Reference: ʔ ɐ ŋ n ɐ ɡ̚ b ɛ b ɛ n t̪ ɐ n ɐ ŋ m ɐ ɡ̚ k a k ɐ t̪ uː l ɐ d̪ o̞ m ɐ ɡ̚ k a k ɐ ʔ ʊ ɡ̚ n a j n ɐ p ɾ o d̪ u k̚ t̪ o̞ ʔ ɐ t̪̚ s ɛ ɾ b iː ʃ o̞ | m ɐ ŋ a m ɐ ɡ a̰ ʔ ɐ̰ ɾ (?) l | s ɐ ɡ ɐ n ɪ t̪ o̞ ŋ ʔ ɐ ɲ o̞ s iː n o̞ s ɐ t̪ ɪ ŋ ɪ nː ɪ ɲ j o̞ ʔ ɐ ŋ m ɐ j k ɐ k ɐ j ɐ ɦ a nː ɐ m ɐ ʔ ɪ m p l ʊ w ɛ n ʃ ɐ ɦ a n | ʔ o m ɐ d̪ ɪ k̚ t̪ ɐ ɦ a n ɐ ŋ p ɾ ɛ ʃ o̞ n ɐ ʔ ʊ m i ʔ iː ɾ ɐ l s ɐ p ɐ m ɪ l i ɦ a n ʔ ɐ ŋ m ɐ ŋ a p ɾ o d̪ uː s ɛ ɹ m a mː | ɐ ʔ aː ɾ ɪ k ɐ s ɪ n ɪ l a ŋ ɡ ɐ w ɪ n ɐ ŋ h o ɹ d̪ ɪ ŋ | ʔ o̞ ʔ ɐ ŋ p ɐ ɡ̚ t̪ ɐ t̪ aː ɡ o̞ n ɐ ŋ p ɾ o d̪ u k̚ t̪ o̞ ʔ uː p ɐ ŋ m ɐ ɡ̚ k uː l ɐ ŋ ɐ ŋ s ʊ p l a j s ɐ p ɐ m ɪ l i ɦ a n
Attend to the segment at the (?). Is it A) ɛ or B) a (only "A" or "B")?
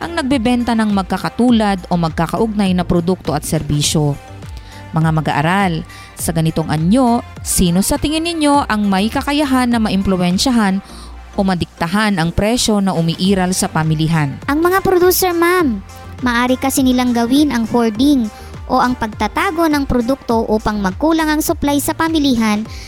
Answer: B